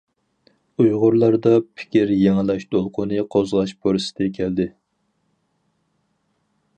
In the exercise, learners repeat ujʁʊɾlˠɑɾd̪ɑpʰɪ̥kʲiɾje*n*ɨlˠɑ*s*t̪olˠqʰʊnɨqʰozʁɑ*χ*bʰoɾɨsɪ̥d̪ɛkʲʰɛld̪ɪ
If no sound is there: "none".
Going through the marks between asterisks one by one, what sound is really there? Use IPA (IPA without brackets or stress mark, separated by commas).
ŋ, ʃ, ʃ